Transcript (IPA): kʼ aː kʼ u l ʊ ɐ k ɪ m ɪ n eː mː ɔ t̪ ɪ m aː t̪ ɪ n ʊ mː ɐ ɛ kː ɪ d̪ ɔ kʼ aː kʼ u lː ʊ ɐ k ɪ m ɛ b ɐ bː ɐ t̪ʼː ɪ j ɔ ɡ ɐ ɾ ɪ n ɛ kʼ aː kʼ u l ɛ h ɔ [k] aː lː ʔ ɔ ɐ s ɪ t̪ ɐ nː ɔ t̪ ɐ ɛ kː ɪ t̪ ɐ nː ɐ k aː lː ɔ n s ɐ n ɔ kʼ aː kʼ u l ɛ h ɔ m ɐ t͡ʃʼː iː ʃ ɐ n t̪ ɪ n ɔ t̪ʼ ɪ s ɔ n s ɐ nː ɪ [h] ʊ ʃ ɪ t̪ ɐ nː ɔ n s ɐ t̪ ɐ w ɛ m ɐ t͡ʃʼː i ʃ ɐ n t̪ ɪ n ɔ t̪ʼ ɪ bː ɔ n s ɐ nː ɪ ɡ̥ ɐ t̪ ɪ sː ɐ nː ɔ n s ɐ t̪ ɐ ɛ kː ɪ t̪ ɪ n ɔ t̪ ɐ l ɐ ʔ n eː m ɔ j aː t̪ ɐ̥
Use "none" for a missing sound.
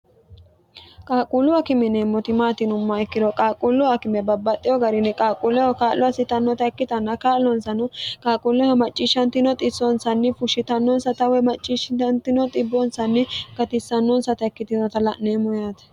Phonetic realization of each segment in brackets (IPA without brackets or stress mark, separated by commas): k, f